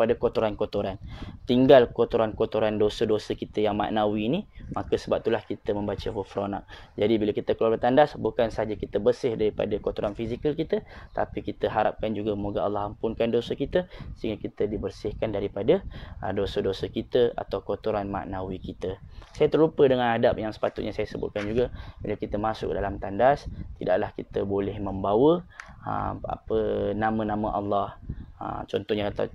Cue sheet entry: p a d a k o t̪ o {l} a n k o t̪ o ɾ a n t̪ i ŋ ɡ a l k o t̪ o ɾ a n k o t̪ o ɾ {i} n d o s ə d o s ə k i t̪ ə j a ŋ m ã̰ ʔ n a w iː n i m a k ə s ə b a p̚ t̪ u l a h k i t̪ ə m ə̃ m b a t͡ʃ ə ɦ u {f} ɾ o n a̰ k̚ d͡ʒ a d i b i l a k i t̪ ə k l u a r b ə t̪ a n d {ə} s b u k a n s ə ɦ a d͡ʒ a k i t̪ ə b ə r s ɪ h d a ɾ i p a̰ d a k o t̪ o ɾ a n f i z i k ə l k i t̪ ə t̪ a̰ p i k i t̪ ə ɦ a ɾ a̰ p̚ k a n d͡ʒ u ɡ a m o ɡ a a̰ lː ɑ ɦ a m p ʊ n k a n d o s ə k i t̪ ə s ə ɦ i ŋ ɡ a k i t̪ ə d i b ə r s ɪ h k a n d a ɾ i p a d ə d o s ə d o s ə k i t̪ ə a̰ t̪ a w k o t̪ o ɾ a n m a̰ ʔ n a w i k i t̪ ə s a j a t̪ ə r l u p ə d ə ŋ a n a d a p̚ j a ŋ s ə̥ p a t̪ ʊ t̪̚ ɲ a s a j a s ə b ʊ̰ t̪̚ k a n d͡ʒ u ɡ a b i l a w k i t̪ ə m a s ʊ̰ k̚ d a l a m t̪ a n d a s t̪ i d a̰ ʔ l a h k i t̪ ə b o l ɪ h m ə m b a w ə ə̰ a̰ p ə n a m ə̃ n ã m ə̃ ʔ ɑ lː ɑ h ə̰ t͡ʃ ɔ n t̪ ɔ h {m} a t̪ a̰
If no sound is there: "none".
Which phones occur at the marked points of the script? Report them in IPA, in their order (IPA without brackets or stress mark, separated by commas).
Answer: ɾ, a, f, a, ɲ